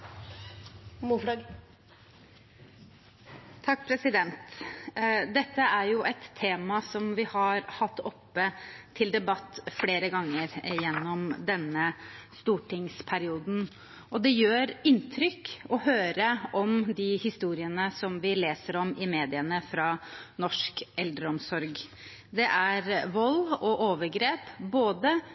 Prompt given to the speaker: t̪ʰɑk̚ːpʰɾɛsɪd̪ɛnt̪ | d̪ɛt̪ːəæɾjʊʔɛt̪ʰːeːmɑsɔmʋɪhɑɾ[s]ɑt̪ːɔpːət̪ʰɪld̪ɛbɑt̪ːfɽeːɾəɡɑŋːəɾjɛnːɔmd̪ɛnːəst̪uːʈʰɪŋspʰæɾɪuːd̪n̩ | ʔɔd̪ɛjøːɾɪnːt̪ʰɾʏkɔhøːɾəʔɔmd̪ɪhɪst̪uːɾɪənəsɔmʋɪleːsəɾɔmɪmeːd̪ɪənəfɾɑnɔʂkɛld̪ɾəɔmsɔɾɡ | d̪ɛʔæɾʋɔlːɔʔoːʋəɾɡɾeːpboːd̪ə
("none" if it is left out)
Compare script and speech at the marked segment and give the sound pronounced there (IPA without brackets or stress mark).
h